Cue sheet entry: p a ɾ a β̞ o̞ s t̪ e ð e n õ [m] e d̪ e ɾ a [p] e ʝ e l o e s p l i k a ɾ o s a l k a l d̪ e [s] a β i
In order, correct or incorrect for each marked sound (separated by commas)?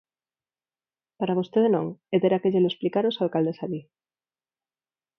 incorrect, incorrect, correct